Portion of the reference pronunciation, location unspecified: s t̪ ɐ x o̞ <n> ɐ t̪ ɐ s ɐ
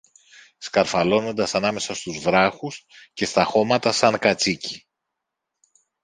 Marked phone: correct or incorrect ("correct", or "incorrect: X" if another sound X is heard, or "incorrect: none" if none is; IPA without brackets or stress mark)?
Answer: incorrect: m